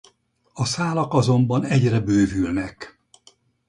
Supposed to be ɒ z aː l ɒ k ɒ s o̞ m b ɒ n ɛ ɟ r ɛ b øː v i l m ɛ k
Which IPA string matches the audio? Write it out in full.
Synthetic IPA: ɒ s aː l ɒ k ɒ z o̞ m b ɒ n ɛ ɟ r ɛ b øː v y l n ɛ k